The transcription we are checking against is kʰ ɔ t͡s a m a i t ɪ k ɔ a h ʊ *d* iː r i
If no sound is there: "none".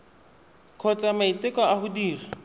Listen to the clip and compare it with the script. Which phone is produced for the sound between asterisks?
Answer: d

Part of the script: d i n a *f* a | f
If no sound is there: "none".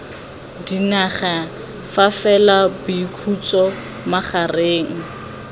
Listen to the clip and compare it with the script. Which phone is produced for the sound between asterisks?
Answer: χ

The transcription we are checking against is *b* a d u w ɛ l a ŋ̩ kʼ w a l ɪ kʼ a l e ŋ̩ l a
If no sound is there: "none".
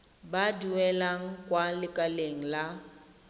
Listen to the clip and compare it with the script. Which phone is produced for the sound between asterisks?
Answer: b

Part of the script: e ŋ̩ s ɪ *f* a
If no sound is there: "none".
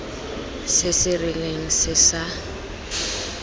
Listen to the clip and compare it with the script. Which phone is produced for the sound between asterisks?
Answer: s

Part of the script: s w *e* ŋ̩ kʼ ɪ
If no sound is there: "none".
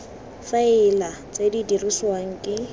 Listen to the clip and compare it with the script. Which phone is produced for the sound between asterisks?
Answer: a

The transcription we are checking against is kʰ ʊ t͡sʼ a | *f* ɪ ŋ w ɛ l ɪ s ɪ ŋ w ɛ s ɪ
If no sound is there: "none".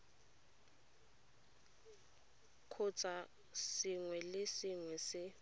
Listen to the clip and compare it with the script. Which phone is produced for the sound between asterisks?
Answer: s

